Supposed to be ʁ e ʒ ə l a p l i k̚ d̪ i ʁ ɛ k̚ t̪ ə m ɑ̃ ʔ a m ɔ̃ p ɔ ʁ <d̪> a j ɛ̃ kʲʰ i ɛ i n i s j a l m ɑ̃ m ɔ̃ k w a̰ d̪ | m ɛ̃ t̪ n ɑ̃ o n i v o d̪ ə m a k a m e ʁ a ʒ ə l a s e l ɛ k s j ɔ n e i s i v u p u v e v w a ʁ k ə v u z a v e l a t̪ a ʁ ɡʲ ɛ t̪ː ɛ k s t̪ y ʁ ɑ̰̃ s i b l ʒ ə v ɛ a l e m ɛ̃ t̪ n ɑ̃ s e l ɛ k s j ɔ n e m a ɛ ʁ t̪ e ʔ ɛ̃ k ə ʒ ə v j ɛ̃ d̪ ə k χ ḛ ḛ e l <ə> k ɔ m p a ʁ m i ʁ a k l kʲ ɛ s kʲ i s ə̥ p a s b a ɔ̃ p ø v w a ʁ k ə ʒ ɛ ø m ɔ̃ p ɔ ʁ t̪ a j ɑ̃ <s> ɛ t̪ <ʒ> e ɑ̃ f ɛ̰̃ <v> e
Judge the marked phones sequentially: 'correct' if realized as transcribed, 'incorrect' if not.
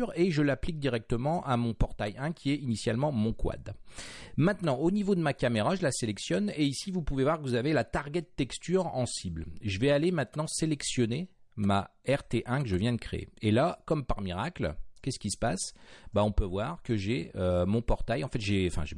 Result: incorrect, incorrect, incorrect, correct, incorrect

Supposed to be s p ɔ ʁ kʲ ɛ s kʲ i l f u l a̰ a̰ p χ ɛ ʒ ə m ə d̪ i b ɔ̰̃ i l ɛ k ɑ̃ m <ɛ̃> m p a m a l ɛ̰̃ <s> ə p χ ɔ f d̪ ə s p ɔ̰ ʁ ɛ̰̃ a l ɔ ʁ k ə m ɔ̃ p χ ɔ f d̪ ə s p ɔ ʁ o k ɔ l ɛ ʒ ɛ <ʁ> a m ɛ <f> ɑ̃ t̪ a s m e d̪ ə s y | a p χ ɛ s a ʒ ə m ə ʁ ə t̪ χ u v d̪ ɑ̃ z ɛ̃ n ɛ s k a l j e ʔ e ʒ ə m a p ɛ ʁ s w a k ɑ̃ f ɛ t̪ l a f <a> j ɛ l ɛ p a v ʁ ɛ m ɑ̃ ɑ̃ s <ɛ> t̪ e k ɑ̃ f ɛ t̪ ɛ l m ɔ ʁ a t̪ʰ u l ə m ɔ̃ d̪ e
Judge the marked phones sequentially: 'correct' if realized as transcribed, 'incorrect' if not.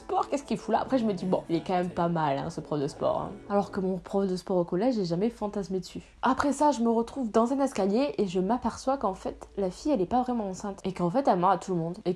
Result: incorrect, correct, incorrect, correct, incorrect, incorrect

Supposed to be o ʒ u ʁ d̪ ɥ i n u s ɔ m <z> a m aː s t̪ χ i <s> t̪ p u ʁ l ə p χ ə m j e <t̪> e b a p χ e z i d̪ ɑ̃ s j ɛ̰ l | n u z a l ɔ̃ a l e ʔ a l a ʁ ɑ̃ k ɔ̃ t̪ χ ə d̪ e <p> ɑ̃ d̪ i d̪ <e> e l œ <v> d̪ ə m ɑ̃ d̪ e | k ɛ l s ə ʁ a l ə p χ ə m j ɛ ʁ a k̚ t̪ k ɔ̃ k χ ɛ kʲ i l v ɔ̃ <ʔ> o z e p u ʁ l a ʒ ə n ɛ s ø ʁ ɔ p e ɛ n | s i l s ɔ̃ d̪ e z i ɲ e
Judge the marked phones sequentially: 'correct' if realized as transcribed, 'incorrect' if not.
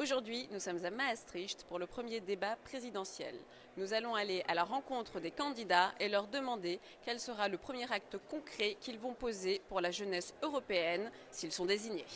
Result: correct, incorrect, incorrect, incorrect, incorrect, incorrect, incorrect

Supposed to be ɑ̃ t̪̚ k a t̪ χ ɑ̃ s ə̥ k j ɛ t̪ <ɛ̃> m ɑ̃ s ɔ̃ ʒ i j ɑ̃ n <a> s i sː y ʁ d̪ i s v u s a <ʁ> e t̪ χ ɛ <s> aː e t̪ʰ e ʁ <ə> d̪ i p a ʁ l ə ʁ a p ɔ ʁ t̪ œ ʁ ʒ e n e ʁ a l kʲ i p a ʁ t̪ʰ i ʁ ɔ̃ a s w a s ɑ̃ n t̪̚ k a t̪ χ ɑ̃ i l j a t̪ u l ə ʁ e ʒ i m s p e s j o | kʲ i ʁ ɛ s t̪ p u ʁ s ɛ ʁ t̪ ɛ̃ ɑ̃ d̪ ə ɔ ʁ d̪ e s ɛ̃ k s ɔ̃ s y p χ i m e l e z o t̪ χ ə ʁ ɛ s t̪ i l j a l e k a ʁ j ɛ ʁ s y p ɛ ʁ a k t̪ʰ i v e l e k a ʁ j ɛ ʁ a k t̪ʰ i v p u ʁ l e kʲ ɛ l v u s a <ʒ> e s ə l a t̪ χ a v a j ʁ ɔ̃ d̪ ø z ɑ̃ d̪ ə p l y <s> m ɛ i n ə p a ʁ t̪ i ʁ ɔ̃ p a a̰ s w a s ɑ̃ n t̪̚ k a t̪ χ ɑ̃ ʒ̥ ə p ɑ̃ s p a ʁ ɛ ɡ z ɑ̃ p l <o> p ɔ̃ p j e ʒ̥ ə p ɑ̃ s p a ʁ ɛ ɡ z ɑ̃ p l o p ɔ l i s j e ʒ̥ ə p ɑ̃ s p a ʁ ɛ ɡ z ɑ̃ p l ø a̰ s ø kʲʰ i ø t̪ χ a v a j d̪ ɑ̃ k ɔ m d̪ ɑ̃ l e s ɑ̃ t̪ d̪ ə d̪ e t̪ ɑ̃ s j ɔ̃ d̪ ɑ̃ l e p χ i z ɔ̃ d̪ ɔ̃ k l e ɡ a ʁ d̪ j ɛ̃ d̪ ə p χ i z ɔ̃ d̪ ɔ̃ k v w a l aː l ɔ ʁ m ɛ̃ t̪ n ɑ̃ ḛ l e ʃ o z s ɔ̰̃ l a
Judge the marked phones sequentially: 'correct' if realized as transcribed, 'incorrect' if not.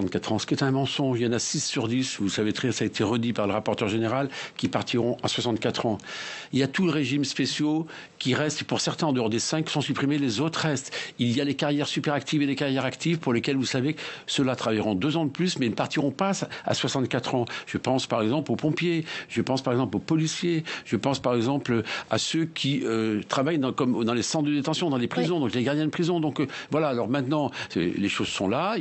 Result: correct, correct, incorrect, correct, correct, incorrect, correct, correct

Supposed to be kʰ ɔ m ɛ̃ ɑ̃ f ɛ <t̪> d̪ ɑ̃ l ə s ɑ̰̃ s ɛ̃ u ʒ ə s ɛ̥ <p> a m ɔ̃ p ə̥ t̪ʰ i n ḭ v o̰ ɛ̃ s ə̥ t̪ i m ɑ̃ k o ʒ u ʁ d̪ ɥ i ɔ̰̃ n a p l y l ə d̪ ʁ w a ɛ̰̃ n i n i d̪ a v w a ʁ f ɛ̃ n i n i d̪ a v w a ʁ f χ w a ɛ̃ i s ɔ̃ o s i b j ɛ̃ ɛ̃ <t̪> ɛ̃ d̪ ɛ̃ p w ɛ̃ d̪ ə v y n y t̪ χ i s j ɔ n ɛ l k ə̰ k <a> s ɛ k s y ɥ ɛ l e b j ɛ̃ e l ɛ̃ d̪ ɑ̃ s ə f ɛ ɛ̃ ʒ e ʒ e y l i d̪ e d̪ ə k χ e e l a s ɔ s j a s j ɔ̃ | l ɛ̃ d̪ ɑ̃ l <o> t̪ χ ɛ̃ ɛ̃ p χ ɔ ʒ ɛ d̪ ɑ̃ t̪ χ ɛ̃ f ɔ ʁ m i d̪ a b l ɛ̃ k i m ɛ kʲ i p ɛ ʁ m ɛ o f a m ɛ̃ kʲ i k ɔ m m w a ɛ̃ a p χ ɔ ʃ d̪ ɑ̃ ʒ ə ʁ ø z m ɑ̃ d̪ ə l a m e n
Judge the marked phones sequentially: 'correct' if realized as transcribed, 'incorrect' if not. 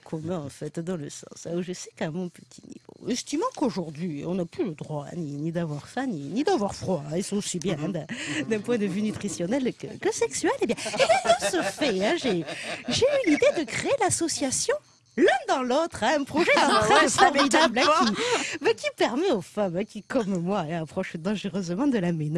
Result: correct, incorrect, incorrect, incorrect, correct

